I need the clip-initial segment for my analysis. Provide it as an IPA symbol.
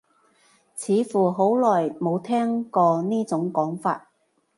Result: t͡sʰ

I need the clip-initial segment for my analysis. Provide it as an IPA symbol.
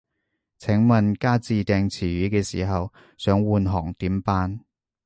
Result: t͡sʰ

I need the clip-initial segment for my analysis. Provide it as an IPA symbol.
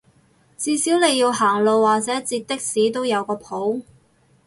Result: t͡s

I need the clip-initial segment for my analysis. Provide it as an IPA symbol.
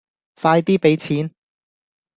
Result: f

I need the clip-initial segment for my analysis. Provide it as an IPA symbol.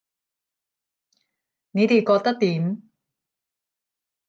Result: n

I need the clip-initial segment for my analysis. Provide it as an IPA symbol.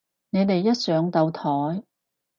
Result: n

